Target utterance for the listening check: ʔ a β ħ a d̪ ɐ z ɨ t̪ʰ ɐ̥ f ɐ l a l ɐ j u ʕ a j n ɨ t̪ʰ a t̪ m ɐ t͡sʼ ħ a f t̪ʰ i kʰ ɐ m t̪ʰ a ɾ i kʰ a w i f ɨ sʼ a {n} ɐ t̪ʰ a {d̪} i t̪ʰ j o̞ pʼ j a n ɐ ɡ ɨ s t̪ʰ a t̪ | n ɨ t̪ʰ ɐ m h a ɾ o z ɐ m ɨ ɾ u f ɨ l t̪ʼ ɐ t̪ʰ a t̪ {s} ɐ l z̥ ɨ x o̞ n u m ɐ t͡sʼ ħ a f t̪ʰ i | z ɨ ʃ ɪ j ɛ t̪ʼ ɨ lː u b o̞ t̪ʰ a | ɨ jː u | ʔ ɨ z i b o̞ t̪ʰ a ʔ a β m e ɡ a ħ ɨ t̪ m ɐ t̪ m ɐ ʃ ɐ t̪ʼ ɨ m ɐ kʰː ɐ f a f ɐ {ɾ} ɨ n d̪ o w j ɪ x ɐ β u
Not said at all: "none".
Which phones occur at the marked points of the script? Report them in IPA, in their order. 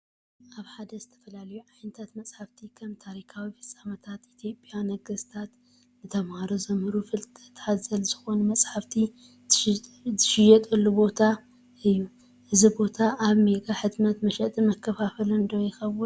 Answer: m, t̪, z, l

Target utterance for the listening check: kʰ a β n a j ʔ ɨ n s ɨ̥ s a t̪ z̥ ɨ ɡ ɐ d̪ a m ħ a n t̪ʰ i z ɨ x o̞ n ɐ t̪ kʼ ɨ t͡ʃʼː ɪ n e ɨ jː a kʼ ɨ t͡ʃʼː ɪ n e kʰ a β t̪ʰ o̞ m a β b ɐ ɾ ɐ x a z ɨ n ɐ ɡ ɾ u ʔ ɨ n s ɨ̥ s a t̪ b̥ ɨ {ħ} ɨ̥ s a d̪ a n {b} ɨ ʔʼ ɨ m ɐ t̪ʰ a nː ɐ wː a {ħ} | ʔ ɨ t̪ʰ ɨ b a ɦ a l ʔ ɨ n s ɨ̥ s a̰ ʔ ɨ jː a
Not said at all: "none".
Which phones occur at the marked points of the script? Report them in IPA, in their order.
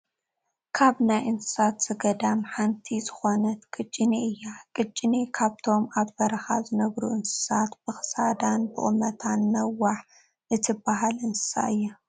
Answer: x, b, ħ

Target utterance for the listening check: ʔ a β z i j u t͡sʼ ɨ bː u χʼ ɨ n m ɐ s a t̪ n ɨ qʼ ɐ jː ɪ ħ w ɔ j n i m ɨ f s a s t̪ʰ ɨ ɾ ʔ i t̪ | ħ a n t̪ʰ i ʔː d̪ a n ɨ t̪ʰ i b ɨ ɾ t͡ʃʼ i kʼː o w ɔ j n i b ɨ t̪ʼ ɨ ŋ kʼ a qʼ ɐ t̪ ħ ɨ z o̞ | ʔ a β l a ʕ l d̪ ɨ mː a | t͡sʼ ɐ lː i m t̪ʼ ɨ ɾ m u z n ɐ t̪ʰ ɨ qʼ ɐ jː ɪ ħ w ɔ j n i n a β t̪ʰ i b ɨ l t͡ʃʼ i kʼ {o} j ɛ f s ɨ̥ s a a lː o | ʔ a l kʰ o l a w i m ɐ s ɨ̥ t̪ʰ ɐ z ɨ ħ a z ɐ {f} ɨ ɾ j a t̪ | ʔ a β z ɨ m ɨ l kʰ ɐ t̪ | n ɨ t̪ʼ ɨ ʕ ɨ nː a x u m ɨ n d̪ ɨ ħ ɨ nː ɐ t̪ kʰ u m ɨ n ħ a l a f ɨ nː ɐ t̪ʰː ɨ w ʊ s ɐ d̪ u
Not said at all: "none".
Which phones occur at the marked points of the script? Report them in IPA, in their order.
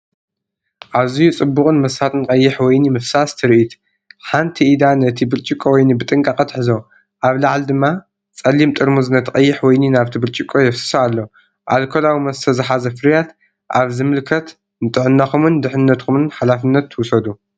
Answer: o, f

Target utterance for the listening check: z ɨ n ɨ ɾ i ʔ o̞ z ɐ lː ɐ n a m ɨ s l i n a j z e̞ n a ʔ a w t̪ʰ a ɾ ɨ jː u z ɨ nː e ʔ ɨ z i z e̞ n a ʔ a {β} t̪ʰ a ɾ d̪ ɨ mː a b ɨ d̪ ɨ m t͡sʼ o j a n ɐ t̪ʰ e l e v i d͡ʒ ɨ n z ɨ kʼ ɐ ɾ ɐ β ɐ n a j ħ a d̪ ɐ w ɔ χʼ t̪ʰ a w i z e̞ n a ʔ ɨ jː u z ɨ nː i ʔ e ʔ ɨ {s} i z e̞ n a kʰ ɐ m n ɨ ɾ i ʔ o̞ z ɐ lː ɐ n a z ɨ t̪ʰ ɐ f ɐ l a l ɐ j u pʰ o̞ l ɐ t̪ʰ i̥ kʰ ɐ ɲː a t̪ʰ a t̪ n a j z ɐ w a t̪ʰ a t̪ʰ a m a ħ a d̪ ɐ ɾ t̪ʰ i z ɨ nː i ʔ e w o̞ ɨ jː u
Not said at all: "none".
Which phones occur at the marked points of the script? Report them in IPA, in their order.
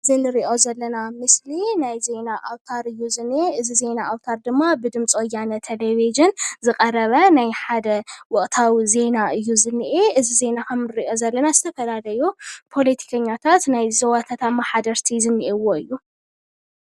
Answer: w, z

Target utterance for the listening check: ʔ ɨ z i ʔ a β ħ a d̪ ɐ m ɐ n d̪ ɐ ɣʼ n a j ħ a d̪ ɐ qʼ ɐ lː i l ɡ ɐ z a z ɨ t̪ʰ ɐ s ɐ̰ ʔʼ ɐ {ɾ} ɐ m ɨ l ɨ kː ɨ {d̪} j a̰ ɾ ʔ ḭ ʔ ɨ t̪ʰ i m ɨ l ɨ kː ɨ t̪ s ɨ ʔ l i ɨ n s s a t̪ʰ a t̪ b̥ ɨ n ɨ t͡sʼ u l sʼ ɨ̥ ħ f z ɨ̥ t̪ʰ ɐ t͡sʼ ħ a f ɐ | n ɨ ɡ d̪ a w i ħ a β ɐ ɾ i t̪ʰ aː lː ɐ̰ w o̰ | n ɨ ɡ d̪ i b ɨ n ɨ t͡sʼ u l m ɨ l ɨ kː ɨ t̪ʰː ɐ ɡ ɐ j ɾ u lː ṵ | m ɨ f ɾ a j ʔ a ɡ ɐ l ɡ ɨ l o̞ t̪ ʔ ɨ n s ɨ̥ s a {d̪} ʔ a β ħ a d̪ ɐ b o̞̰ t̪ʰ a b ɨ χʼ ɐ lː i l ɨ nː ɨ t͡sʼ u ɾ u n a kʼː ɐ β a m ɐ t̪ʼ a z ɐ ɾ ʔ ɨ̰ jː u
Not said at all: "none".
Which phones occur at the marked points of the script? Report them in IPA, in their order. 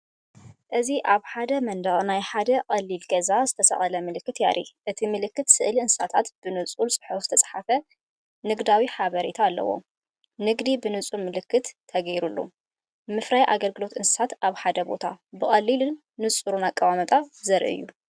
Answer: l, t̪, t̪

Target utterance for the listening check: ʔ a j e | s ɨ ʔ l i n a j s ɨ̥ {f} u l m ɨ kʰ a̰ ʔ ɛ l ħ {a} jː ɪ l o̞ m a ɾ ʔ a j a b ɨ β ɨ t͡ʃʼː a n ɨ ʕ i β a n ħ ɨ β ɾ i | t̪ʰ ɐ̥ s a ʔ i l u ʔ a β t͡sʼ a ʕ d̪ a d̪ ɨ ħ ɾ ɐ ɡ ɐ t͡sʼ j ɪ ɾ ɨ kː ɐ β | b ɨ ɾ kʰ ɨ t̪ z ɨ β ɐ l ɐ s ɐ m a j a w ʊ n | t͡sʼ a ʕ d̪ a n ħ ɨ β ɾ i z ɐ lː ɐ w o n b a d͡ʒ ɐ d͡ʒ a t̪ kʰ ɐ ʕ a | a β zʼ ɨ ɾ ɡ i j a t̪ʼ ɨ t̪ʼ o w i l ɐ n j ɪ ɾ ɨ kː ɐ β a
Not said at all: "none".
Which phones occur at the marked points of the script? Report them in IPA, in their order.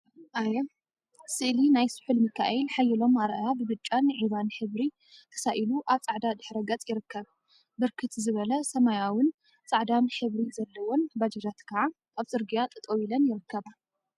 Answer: ħ, a

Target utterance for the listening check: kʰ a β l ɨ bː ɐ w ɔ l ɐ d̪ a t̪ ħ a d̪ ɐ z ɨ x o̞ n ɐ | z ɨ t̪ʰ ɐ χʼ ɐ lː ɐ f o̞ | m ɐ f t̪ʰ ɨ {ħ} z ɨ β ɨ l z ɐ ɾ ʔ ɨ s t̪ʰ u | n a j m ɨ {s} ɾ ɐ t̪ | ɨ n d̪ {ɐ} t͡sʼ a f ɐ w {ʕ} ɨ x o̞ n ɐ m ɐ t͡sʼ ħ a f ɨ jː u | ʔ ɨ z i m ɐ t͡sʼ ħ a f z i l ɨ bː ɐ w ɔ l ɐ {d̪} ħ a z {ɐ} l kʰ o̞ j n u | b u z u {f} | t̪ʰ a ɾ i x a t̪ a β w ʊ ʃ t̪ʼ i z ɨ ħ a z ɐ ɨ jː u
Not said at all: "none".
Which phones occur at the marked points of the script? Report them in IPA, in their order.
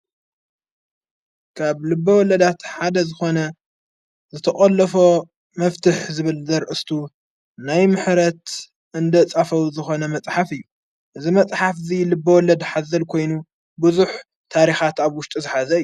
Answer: ħ, ħ, ɐ, z, d̪, ɐ, ħ

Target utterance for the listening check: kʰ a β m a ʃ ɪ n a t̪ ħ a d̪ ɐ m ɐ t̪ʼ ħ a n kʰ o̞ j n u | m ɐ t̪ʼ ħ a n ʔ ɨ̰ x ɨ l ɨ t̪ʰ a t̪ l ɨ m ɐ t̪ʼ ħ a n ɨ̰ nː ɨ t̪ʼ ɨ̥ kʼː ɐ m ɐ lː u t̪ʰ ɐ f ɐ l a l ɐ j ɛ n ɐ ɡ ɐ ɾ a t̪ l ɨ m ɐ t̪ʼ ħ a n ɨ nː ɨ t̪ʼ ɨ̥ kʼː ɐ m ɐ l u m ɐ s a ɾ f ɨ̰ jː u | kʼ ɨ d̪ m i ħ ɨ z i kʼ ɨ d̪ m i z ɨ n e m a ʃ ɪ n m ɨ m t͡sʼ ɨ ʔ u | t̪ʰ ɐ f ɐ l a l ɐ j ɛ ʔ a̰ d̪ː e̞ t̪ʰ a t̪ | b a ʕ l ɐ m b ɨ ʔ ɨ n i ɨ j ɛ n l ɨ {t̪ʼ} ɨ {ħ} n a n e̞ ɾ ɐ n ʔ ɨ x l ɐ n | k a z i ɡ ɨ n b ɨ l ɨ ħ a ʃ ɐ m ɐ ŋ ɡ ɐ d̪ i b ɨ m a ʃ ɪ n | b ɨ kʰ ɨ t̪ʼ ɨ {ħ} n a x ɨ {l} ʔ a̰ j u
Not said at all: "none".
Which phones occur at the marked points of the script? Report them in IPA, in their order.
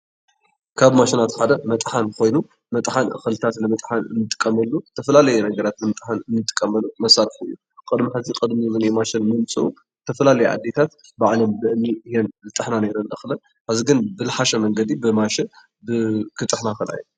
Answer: t̪ʼ, ħ, ħ, l

